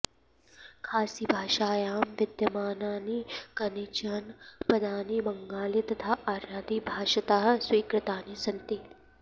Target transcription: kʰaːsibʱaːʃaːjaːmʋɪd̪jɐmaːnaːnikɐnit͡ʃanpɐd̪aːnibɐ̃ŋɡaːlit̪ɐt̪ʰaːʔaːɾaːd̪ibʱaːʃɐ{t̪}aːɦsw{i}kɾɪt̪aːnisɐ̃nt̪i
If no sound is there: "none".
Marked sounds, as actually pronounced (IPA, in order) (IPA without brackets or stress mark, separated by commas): t̪, iː